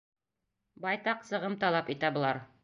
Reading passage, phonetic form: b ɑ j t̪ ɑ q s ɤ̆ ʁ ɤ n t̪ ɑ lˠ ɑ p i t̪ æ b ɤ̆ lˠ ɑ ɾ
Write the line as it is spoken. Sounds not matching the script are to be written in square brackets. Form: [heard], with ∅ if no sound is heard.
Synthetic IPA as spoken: b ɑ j t̪ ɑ q s ɤ̆ ʁ ɤ [m] t̪ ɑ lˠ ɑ p i t̪ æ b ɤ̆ lˠ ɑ ɾ